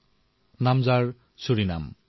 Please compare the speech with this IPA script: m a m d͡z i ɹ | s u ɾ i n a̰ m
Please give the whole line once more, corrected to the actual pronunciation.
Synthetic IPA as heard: n a m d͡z a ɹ | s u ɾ i n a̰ m

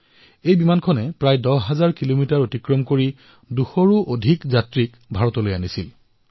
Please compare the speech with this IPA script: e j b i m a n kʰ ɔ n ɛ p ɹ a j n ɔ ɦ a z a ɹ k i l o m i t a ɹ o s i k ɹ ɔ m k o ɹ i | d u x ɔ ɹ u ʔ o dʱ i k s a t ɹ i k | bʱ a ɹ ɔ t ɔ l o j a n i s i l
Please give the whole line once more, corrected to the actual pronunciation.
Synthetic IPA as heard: e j b i m a n kʰ ɔ n ɛ p ɹ a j d ɔ ɦ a z a ɹ k i l o m i t a ɹ o t i k ɹ ɔ m k o ɹ i | d u x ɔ ɹ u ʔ o dʱ i k z a t ɹ i k | bʱ a ɹ ɔ t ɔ l o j a n i s i l

